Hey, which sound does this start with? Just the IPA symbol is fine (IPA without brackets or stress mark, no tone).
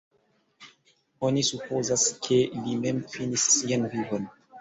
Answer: o